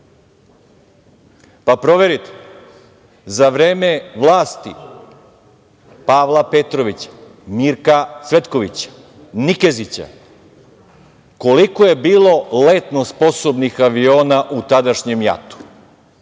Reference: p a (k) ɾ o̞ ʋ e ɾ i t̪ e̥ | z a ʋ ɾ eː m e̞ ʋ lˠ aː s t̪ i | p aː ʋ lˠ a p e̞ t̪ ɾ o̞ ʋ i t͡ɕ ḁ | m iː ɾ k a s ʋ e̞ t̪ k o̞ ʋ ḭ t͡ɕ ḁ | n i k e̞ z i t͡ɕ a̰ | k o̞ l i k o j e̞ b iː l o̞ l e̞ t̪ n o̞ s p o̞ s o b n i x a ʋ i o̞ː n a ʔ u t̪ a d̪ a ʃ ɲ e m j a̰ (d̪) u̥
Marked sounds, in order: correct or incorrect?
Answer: incorrect: p, incorrect: t̪

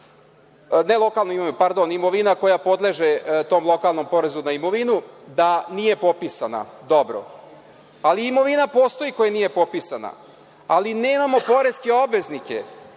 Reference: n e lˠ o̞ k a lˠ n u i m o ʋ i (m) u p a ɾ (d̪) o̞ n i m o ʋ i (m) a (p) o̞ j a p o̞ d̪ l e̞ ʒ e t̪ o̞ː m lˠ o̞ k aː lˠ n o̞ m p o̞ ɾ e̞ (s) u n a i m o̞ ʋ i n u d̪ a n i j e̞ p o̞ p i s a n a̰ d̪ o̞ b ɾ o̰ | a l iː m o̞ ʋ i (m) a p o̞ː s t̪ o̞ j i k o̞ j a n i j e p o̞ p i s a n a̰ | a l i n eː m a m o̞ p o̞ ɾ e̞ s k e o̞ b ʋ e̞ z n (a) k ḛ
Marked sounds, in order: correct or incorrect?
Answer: incorrect: n, correct, incorrect: n, incorrect: k, incorrect: z, incorrect: n, incorrect: i

